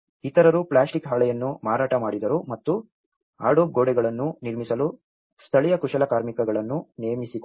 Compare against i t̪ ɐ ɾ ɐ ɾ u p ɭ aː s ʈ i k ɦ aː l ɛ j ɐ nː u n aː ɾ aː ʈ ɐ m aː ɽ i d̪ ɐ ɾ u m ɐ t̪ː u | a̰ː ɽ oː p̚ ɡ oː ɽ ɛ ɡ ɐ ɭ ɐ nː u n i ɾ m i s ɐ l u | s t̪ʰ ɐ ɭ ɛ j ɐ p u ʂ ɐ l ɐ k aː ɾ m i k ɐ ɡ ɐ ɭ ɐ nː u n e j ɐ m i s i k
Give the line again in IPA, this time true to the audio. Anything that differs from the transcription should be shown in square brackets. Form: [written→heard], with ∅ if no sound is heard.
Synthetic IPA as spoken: i t̪ ɐ ɾ ɐ ɾ u p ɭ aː s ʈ i k ɦ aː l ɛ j ɐ nː u [n→m] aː ɾ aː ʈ ɐ m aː ɽ i d̪ ɐ ɾ u m ɐ t̪ː u | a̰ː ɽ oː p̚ ɡ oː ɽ ɛ ɡ ɐ ɭ ɐ nː u n i ɾ m i s ɐ l u | s t̪ʰ ɐ ɭ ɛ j ɐ [p→k] u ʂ ɐ l ɐ k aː ɾ m i k ɐ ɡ ɐ ɭ ɐ nː u n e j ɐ m i s i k

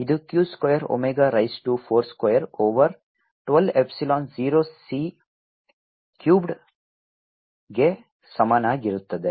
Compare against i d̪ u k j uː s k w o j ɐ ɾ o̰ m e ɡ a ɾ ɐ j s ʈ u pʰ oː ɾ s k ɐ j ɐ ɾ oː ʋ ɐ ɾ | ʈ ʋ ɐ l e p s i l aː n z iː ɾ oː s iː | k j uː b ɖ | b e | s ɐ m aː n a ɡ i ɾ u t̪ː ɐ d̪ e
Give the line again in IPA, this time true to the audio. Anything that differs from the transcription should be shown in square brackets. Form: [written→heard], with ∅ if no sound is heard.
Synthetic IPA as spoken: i d̪ u k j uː s k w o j ɐ ɾ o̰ m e ɡ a ɾ ɐ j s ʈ u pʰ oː ɾ s k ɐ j ɐ ɾ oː ʋ ɐ ɾ | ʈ ʋ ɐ l e p s i l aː n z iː ɾ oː s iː | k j uː b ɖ | [b→ɡ] e | s ɐ m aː n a ɡ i ɾ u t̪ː ɐ d̪ e

